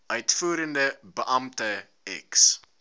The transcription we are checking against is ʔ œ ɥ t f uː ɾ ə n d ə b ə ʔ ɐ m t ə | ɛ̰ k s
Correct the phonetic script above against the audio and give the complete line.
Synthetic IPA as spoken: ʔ œ ɥ t f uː ɾ ə n d ə b ə ʔ ɐ m t ə | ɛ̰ k s